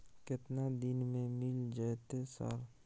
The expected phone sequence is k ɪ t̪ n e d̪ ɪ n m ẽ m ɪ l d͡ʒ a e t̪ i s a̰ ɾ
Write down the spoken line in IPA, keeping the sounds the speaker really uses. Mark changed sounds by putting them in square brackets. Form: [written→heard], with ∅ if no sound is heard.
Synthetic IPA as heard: k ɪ t̪ n [e→a] d̪ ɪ n m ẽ m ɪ l d͡ʒ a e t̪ [i→e] s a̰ ɾ